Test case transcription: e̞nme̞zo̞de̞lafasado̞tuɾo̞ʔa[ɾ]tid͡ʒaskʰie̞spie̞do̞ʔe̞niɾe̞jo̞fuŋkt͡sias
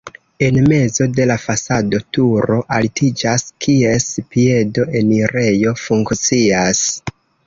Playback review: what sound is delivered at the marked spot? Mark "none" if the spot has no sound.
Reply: l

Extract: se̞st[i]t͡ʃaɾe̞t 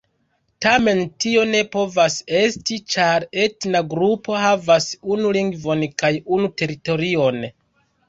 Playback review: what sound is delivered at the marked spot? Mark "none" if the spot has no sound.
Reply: i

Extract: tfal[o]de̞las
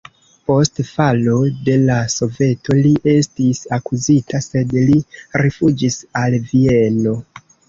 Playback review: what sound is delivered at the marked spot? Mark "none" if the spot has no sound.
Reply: o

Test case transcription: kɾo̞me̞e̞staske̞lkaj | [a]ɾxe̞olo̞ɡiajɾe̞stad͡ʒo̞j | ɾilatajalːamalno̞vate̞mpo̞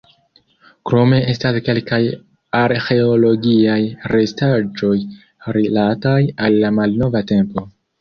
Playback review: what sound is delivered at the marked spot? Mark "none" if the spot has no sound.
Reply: a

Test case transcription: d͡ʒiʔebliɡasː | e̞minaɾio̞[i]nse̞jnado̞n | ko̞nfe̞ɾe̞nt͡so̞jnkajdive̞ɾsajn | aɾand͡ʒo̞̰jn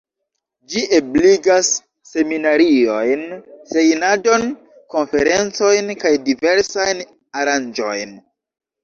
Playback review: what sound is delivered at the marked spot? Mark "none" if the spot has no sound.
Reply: j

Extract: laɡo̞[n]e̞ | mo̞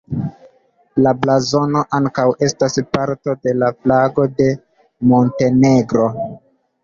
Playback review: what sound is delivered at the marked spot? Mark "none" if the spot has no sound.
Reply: d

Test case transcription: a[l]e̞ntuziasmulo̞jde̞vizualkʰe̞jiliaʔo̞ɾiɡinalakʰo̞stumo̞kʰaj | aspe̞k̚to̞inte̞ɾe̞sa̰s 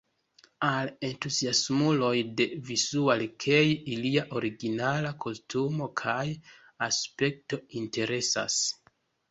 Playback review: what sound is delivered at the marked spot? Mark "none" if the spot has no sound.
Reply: l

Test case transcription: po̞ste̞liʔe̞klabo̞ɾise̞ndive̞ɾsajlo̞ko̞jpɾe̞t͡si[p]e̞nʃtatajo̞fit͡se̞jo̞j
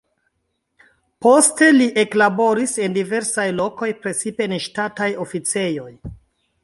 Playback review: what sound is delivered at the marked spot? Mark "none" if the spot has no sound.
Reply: p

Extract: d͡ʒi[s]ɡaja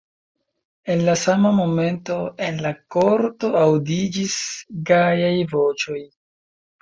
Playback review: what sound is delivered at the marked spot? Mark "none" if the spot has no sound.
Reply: s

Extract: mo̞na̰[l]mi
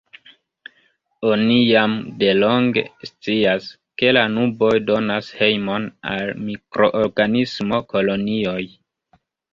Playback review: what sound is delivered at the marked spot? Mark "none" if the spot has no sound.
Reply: l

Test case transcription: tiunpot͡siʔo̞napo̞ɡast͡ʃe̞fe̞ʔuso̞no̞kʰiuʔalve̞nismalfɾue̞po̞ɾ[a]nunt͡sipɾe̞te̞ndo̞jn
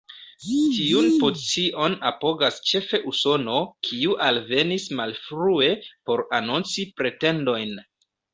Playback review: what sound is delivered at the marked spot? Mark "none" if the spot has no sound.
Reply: a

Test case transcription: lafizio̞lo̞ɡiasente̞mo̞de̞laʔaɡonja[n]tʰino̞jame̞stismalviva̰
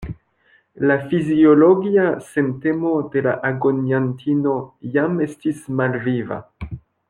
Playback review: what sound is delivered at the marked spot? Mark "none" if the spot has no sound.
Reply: n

